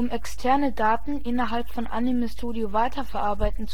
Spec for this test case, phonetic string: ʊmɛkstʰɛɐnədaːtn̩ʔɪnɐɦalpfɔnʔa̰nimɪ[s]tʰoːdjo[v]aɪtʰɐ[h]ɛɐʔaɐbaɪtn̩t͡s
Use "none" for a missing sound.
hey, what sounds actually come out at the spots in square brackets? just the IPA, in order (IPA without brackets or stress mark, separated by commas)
s, v, f